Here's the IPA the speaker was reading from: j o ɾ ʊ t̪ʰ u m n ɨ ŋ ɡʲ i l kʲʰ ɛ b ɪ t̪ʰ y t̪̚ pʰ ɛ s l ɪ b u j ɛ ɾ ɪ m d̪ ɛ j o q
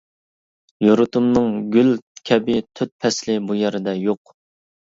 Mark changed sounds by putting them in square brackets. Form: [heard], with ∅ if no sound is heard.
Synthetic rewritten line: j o ɾ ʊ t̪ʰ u m n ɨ ŋ ɡʲ [y] l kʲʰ ɛ b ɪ t̪ʰ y t̪̚ pʰ ɛ s l ɪ b u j ɛ ɾ ɪ [∅] d̪ ɛ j o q

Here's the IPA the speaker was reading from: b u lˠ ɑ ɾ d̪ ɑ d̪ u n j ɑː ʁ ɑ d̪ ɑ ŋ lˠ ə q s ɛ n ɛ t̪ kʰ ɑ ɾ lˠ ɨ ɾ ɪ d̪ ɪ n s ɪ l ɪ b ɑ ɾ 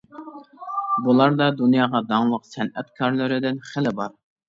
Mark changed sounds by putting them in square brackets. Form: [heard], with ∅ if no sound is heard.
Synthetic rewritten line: b u lˠ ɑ ɾ d̪ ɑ d̪ u n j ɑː ʁ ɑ d̪ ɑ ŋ lˠ ə q s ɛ n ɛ t̪ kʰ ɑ ɾ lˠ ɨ ɾ ɪ d̪ ɪ n [χ] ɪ l ɪ b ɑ ɾ

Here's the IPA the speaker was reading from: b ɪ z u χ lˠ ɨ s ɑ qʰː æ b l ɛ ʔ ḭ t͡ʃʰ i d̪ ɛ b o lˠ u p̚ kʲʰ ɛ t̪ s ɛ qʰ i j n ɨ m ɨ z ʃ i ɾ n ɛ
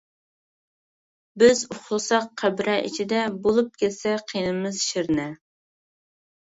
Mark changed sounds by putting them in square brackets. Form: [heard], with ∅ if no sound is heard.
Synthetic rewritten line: b ɪ z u χ lˠ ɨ s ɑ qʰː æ b [ɾ] ɛ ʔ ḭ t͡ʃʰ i d̪ ɛ b o lˠ u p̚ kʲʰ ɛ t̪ s ɛ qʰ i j n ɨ m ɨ z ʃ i ɾ n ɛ

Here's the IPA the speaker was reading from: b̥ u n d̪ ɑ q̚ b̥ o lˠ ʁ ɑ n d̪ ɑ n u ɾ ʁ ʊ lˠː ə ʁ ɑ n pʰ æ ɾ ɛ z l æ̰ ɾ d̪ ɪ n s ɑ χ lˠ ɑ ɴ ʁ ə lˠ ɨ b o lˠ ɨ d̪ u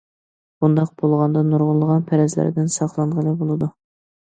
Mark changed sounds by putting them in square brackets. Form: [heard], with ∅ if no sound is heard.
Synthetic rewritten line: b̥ u n d̪ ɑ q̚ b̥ o lˠ ʁ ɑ n d̪ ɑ n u ɾ ʁ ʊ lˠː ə ʁ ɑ n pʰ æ ɾ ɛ z l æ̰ ɾ d̪ ɪ n s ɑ χ lˠ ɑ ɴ ʁ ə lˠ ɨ b o lˠ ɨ d̪ u

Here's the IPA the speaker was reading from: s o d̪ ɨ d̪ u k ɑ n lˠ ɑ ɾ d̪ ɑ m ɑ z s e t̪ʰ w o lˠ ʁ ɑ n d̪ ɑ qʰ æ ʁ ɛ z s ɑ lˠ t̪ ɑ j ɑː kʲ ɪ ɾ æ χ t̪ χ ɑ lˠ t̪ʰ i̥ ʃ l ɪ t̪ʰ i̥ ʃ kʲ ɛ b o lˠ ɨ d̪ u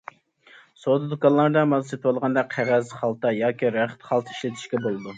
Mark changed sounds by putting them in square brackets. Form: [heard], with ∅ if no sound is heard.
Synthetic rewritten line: s o d̪ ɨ d̪ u k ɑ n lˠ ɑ ɾ d̪ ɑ m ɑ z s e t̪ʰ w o lˠ ʁ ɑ n d̪ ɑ qʰ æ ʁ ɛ z [χ] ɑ lˠ t̪ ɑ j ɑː kʲ [i] ɾ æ χ t̪ χ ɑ lˠ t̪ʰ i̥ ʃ l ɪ t̪ʰ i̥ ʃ kʲ ɛ b o lˠ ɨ d̪ u

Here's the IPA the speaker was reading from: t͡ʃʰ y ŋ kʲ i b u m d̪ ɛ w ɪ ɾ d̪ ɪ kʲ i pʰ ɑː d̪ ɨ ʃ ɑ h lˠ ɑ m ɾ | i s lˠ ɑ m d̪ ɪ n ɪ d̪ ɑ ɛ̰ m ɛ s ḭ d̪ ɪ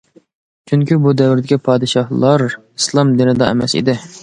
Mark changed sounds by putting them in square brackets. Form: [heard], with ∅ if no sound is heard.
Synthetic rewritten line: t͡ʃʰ y ŋ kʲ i b u [∅] d̪ ɛ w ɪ ɾ d̪ ɪ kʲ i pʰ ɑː d̪ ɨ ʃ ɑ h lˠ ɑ [∅] ɾ | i s lˠ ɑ m d̪ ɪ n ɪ d̪ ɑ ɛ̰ m ɛ s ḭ d̪ ɪ

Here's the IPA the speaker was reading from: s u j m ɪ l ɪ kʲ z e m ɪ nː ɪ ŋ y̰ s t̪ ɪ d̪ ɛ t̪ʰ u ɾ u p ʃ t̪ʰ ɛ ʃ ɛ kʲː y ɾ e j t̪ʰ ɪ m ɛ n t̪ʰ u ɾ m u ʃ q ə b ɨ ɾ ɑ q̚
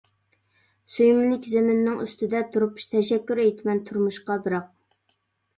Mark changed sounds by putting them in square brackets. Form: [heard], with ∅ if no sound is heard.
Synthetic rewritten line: s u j m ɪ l ɪ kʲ z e m ɪ nː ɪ ŋ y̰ s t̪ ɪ d̪ ɛ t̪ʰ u ɾ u p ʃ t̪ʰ ɛ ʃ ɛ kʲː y ɾ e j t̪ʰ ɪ m ɛ n t̪ʰ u ɾ m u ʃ q [ɑ] b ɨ ɾ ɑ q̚

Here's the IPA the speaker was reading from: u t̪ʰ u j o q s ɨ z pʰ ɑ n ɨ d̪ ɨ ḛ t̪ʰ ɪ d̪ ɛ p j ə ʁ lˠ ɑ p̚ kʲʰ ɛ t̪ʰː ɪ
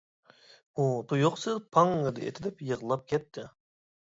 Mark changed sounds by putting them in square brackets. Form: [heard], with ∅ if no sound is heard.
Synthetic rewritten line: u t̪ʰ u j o q s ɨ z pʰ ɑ [ŋ] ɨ d̪ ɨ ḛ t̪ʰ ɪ d̪ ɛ p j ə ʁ lˠ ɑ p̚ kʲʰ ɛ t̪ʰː ɪ

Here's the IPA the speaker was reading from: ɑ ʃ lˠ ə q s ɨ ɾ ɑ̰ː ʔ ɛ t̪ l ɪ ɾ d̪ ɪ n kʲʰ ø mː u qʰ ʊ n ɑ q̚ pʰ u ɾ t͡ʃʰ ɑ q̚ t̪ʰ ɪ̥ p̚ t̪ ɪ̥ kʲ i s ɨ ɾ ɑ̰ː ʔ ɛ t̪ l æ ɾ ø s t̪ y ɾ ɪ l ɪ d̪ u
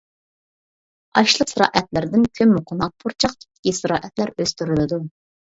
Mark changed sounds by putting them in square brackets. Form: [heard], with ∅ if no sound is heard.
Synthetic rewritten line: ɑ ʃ lˠ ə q s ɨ ɾ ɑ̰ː ʔ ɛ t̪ l ɪ ɾ d̪ ɪ n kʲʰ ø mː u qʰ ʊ n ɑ q̚ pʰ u ɾ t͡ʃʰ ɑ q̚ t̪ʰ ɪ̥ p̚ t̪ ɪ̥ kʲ i s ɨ ɾ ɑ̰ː ʔ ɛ t̪ l æ ɾ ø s t̪ y ɾ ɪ l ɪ d̪ u

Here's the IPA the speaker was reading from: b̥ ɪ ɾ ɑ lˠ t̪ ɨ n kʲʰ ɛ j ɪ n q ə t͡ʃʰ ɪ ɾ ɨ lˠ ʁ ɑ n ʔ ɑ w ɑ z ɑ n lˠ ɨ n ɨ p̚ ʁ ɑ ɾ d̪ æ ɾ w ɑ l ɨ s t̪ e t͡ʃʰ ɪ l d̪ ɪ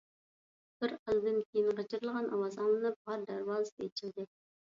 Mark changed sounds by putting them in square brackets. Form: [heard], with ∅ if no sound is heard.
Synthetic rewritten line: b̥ ɪ ɾ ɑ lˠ [d̪] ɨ n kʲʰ [e] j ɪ n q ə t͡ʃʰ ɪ ɾ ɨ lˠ ʁ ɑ n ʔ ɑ w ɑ z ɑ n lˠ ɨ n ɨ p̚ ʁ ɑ ɾ d̪ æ ɾ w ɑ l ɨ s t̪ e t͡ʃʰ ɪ l d̪ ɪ

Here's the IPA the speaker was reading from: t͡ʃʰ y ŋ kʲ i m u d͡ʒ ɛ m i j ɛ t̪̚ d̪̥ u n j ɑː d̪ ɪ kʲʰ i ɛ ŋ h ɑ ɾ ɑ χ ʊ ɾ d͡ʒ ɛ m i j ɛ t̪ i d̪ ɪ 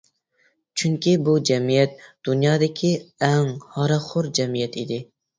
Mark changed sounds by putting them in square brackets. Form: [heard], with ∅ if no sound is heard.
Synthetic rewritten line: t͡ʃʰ y ŋ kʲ i [b] u d͡ʒ ɛ m i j ɛ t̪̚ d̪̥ u n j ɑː d̪ ɪ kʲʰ i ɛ ŋ h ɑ ɾ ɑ χ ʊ ɾ d͡ʒ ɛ m i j ɛ t̪ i d̪ ɪ

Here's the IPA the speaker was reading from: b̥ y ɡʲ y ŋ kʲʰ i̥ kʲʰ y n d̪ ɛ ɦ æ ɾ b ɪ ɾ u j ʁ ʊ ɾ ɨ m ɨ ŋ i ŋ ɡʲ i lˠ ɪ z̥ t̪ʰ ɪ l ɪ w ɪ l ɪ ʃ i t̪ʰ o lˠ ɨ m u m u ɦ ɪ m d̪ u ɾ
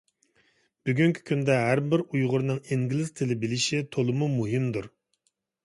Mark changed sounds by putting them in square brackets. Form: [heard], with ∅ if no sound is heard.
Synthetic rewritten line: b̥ y ɡʲ y ŋ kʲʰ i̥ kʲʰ y n d̪ ɛ ɦ æ ɾ b ɪ ɾ u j ʁ ʊ ɾ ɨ [n] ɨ ŋ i ŋ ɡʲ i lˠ ɪ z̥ t̪ʰ ɪ l ɪ [b] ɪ l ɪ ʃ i t̪ʰ o lˠ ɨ m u m u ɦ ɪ m d̪ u ɾ

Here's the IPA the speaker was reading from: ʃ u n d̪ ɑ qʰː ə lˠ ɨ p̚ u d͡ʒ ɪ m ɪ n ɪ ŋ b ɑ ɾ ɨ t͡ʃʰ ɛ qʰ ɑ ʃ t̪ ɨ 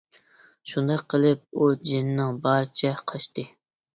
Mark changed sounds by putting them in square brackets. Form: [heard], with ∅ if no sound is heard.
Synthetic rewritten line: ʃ u n d̪ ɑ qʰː ə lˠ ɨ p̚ u d͡ʒ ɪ [n] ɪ n ɪ ŋ b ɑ ɾ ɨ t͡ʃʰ ɛ qʰ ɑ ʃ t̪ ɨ

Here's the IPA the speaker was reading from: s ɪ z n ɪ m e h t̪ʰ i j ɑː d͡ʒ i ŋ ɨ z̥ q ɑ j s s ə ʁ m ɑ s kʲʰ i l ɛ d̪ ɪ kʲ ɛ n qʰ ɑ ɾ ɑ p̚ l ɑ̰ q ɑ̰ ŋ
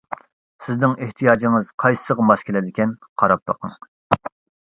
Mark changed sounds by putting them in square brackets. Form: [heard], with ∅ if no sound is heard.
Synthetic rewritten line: s ɪ z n ɪ [ŋ] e h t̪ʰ i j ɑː d͡ʒ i ŋ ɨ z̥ [qʰ] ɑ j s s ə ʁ m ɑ s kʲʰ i l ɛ d̪ ɪ kʲ ɛ n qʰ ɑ ɾ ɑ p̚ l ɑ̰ q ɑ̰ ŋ

